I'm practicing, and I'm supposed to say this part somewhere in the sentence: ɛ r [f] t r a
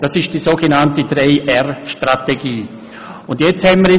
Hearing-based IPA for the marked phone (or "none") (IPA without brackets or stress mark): ʃ